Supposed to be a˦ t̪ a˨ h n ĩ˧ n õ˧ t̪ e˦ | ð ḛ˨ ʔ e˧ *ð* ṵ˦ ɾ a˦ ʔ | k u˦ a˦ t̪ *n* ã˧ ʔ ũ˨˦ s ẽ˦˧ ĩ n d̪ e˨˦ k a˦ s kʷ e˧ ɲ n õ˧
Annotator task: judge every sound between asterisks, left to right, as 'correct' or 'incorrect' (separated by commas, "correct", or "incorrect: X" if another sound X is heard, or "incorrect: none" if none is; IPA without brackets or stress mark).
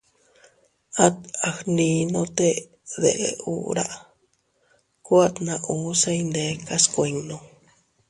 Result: incorrect: none, correct